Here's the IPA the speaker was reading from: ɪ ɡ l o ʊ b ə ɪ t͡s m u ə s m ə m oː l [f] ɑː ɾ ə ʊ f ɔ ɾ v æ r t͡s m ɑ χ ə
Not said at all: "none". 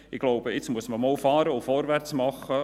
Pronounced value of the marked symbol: f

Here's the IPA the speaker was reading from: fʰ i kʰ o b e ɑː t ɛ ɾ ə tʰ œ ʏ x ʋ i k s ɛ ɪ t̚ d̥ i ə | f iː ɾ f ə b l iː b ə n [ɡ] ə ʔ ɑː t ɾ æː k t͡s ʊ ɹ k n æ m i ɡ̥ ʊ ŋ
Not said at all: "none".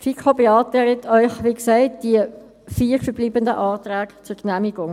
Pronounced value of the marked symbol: d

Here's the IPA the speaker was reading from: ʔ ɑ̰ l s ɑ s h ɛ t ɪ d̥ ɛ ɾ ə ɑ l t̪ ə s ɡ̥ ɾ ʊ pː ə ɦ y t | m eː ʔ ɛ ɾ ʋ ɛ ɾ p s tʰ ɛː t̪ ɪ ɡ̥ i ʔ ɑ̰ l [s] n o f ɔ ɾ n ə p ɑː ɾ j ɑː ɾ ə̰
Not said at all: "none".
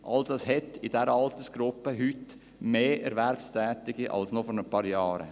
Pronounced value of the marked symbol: s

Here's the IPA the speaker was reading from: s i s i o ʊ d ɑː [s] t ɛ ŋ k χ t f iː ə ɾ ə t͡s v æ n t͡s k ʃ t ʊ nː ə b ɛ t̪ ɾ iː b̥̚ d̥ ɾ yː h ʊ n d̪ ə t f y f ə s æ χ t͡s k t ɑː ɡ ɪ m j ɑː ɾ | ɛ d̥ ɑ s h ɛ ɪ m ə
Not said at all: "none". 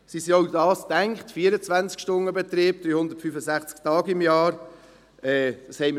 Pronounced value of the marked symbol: s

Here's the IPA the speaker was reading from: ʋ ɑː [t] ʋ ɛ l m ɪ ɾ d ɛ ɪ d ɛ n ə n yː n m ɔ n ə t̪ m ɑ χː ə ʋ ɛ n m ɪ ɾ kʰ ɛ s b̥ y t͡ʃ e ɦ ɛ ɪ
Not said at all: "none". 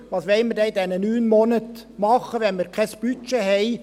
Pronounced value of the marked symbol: s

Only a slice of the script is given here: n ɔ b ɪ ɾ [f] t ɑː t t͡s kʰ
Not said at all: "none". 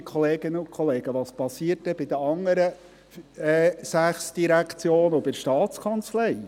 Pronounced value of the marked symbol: ʃ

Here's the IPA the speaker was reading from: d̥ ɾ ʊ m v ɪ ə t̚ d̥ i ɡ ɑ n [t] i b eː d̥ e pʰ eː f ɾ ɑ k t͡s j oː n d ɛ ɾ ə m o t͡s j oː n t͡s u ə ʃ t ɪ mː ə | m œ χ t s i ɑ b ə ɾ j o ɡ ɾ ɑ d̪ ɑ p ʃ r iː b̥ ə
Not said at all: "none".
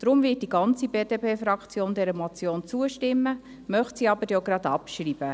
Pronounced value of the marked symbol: t͡s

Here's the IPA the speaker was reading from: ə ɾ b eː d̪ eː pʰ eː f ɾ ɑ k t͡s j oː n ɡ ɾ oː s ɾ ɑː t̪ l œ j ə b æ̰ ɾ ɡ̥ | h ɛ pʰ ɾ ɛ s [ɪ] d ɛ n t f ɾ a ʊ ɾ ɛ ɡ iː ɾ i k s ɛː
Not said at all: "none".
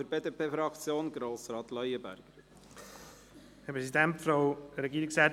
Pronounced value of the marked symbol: i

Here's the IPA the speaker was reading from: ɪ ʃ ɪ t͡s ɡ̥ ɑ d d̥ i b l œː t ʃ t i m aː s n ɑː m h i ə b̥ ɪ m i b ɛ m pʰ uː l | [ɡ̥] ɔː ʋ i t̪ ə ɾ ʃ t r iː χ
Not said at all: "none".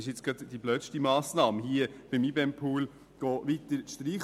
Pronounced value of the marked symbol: ɡ̥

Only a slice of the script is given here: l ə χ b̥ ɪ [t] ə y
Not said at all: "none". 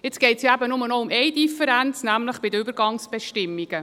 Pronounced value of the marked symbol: d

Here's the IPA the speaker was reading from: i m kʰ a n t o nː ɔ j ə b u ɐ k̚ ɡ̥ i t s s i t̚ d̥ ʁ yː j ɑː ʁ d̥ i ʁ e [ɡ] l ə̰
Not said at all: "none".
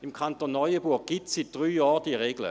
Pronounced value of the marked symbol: ɡ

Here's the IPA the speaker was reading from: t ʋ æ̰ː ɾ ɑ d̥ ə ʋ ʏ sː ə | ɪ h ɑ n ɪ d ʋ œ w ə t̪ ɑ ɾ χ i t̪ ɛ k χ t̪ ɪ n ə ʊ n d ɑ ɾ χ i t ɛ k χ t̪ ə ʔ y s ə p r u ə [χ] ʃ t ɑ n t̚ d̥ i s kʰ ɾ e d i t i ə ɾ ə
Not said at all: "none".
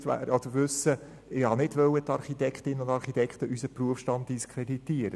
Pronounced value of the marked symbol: f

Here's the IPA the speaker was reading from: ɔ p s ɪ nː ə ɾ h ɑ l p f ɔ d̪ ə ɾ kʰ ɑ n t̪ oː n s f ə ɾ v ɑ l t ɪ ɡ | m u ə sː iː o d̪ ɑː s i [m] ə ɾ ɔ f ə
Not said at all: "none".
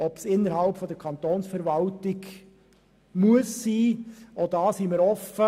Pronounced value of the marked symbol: m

